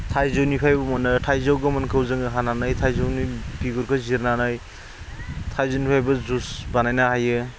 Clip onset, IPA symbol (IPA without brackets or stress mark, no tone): tʰ